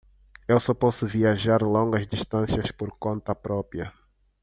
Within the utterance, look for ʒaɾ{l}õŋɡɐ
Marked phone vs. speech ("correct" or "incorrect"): correct